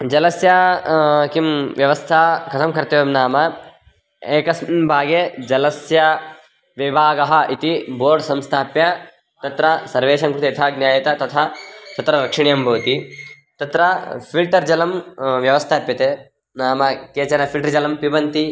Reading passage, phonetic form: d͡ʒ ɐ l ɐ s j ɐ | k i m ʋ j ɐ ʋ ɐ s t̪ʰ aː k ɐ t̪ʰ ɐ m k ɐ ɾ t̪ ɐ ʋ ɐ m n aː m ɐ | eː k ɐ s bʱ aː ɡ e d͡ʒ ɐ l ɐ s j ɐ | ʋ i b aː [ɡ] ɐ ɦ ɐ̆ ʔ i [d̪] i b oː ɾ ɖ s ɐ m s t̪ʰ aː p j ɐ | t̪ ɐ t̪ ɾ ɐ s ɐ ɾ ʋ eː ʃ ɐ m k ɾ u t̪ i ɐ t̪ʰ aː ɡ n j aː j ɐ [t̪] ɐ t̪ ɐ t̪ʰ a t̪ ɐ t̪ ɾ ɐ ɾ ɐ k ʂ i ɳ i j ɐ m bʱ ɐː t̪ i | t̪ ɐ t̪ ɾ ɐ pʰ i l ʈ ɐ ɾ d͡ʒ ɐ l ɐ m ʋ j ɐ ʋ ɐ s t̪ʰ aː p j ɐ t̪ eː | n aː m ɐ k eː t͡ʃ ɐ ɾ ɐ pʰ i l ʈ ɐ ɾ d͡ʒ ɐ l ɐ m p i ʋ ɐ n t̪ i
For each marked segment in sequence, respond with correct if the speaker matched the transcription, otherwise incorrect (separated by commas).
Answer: correct, incorrect, correct